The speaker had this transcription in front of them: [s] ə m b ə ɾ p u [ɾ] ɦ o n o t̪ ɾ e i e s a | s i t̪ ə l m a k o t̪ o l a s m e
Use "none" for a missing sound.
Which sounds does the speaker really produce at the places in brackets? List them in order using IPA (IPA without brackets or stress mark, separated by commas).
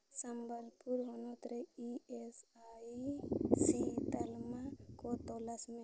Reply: s, ɾ